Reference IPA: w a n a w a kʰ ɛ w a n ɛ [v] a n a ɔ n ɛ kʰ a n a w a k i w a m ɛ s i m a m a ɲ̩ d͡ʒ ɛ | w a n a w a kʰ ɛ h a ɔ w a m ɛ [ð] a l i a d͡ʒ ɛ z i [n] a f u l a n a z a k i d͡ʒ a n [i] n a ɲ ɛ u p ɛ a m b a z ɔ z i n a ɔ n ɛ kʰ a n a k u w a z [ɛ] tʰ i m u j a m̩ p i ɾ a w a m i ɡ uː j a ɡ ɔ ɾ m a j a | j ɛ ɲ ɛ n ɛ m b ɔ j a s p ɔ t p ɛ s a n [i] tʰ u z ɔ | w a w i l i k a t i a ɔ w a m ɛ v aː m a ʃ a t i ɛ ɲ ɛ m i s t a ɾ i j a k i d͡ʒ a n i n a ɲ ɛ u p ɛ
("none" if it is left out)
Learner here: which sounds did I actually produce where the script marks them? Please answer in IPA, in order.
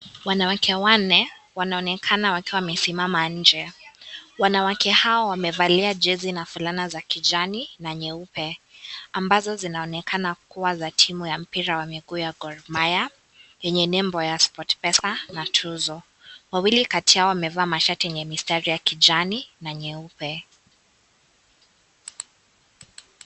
w, v, n, i, a, a

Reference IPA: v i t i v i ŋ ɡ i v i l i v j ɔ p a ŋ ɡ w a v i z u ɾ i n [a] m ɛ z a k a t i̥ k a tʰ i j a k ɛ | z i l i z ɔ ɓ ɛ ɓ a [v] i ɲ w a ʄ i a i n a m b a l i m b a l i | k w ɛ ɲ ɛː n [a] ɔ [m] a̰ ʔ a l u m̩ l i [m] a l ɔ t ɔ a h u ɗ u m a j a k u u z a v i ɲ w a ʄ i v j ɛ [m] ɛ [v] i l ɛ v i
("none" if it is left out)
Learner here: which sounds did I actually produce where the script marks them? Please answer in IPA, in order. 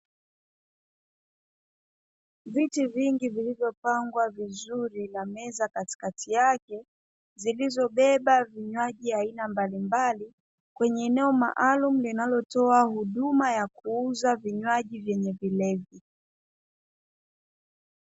a, v, ɛ, m, n, ɲ, v

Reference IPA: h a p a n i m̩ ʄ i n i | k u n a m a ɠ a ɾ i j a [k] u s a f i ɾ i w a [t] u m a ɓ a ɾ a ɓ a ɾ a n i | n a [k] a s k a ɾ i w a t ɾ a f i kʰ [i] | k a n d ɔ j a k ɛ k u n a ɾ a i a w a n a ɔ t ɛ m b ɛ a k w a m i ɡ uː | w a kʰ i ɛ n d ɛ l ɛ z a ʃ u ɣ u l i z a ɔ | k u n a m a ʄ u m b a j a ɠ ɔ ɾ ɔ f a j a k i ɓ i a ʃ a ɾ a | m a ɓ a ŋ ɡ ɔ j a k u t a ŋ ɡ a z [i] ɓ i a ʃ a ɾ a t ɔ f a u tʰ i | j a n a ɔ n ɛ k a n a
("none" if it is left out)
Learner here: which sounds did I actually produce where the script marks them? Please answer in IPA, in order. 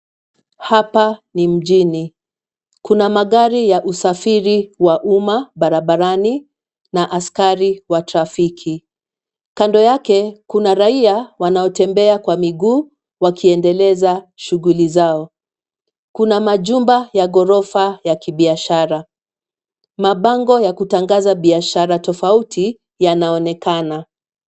ʔ, ʔ, ʔ, i, a

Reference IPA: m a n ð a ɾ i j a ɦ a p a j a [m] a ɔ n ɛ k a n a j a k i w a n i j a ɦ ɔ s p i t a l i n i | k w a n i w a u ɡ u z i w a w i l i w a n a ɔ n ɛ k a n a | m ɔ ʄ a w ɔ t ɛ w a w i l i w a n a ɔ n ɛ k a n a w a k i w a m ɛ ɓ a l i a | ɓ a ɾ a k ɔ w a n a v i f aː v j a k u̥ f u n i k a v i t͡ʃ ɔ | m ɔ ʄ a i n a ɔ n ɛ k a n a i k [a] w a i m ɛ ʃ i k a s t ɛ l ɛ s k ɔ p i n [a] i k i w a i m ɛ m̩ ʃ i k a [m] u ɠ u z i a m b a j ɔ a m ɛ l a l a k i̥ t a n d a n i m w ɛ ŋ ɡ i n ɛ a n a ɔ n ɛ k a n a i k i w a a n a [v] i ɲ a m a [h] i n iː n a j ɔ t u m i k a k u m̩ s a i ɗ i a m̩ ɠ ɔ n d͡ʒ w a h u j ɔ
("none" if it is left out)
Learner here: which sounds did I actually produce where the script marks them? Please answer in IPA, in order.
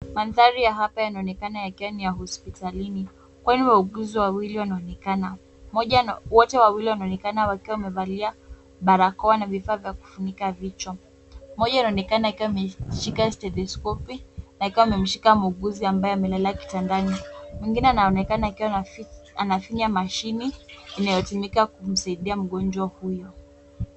n, i, a, m, f, ʃ

